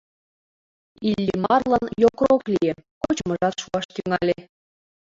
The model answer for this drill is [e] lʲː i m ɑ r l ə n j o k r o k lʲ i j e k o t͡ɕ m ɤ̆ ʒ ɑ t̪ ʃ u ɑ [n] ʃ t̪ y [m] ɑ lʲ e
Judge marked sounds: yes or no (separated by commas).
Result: no, no, no